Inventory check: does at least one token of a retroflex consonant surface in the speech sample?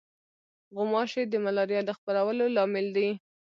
no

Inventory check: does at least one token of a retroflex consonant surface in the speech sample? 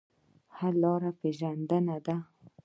no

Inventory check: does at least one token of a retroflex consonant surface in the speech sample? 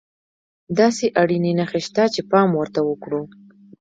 yes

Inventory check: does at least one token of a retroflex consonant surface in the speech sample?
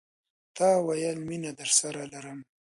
no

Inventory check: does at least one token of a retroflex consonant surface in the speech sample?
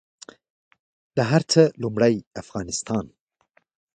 yes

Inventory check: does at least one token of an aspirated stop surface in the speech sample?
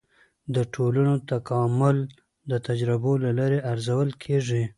yes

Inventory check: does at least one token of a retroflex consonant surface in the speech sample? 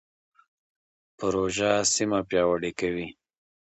yes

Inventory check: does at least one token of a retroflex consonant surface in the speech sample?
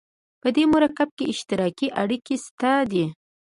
yes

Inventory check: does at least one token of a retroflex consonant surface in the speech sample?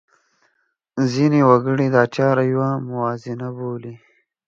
yes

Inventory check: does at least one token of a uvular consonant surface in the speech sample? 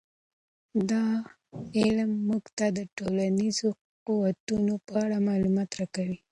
yes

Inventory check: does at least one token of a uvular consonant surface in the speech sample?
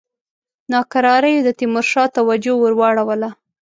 no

